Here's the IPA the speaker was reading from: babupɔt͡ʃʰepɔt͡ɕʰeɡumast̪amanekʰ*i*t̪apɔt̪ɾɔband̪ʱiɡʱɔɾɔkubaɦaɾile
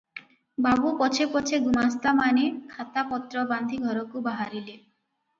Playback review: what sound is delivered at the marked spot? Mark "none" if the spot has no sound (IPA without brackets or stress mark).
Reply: a